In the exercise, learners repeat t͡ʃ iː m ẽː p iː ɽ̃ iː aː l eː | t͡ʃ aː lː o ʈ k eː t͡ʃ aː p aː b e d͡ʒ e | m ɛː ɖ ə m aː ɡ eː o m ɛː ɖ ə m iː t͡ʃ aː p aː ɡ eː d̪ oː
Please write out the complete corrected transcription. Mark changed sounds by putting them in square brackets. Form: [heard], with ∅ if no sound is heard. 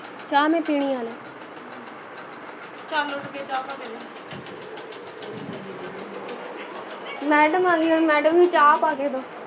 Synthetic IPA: t͡ʃ [aː] m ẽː p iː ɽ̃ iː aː l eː | t͡ʃ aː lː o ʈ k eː t͡ʃ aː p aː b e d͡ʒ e | m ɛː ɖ ə m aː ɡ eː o m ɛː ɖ ə m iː t͡ʃ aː p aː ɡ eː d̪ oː